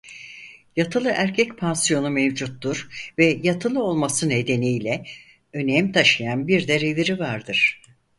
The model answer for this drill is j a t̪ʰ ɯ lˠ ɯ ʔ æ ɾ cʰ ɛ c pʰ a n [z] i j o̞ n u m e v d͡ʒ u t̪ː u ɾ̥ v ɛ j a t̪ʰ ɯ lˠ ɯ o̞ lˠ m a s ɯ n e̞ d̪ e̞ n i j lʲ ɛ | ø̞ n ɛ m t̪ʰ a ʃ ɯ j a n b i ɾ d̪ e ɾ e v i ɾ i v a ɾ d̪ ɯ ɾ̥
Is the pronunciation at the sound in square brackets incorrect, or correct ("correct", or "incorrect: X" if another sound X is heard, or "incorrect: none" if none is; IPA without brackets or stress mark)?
incorrect: s